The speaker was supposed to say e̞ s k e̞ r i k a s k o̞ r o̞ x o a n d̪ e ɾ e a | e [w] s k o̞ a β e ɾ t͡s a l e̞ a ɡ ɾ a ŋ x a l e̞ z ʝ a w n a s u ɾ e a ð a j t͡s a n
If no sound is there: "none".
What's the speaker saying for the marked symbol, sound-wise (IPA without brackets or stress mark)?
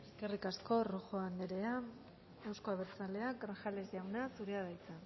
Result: w